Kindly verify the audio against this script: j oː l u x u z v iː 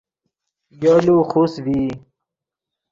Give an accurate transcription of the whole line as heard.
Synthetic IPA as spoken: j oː l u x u s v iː